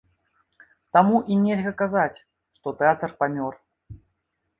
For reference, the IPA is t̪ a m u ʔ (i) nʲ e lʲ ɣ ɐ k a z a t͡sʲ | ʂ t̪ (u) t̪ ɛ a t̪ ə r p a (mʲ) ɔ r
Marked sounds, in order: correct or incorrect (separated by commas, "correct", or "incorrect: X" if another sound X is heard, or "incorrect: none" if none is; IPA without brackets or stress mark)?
correct, incorrect: ɔ, correct